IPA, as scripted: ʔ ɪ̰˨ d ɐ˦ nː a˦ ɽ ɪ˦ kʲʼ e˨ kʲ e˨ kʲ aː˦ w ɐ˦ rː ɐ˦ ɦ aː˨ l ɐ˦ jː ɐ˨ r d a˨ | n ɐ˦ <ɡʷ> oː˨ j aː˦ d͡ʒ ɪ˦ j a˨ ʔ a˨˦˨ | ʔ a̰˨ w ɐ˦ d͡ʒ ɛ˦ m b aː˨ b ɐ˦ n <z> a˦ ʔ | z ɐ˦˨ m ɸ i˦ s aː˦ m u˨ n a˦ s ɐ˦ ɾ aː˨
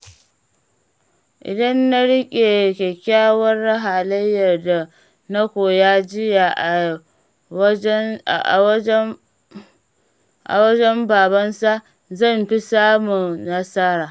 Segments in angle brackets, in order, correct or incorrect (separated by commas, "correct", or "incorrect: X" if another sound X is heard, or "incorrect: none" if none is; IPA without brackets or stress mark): incorrect: kʷ, incorrect: s